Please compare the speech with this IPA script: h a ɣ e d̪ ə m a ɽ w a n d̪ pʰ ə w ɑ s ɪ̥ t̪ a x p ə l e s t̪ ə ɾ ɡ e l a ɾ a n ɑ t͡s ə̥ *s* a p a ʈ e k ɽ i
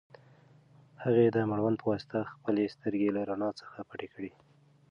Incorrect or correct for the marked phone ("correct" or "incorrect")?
incorrect